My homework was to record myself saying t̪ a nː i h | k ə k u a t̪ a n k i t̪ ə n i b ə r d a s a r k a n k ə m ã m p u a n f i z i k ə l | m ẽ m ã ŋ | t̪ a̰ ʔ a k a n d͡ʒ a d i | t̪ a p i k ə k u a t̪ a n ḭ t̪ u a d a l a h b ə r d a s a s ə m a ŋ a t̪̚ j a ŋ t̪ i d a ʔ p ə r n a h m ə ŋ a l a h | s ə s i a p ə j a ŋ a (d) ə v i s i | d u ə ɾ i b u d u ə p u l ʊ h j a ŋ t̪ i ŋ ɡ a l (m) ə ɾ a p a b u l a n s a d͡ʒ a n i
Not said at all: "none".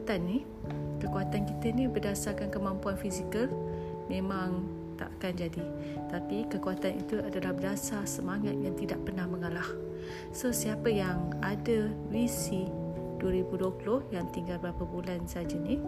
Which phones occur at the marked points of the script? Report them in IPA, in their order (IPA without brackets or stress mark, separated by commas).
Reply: d, b